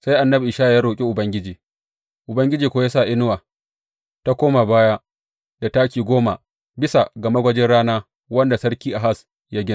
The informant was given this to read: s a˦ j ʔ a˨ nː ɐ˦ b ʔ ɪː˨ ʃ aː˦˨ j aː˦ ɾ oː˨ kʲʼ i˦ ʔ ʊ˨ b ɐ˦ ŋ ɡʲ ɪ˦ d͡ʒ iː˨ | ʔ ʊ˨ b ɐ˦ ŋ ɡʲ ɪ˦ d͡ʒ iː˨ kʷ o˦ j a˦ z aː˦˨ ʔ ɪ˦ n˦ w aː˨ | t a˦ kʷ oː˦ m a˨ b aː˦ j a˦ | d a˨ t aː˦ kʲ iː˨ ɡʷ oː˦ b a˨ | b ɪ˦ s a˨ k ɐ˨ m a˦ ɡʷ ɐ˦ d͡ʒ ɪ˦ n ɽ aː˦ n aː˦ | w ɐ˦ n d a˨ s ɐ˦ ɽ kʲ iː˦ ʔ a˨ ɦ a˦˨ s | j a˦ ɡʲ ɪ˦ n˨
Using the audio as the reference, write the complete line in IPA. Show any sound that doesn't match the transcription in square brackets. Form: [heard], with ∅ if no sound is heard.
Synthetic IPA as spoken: s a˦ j ʔ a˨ nː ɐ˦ b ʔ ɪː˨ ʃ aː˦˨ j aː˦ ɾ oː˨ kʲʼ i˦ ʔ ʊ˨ b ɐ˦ ŋ ɡʲ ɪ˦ d͡ʒ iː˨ | ʔ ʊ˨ b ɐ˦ ŋ ɡʲ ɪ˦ d͡ʒ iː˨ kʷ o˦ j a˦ [s] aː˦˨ ʔ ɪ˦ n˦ w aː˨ | t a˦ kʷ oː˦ m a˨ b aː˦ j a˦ | d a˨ t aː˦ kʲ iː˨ ɡʷ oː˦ [m] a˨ | b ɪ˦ s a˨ [ɡ] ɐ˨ m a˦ ɡʷ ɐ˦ d͡ʒ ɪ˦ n ɽ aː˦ n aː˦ | w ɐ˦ n d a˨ s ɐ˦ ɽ kʲ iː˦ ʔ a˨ ɦ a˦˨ s | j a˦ ɡʲ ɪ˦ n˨